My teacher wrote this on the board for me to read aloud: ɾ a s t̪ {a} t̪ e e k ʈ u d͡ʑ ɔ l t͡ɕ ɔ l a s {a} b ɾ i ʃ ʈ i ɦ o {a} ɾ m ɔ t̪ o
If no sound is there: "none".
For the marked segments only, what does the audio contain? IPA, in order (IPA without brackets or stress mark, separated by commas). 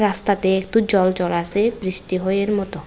a, e, e